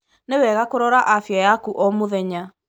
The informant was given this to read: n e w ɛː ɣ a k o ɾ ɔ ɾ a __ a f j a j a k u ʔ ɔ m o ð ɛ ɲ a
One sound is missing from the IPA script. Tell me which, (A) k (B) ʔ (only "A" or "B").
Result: B